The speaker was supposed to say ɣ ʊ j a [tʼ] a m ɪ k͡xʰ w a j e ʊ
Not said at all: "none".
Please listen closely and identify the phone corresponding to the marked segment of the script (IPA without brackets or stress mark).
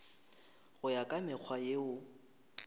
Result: kʼ